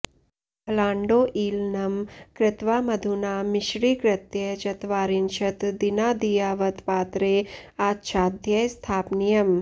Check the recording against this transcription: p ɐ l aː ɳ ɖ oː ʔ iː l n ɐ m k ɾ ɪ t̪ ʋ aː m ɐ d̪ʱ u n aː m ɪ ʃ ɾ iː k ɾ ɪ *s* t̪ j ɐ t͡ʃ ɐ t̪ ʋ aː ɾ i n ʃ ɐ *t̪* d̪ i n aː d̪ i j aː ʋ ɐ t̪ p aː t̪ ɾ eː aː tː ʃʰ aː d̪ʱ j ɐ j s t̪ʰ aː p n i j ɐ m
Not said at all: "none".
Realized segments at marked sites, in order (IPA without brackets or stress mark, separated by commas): none, t̪